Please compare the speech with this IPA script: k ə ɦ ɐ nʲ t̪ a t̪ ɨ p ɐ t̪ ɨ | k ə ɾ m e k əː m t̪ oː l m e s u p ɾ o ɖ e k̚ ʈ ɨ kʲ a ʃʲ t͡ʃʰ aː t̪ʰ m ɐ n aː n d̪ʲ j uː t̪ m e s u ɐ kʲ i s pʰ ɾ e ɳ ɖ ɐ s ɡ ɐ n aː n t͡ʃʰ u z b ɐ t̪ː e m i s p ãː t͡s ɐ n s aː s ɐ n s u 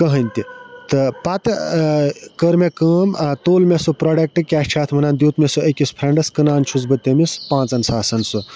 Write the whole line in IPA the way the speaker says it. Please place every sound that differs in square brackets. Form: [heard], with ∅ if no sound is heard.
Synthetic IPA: k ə ɦ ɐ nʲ t̪ [i] t̪ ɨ p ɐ t̪ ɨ | k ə ɾ m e k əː m t̪ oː l m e s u p ɾ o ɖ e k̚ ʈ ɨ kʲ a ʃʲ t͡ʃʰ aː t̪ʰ m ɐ n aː n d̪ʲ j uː t̪ m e s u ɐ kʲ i s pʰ ɾ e ɳ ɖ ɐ s [k] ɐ n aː n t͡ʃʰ u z b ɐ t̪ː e m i s p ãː t͡s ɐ n s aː s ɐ n s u